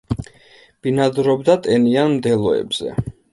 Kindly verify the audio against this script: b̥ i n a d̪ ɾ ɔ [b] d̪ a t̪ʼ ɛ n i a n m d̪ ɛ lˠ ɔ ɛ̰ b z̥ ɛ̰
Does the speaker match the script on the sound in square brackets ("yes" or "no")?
yes